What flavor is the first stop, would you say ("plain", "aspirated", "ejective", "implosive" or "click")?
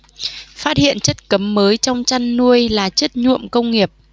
plain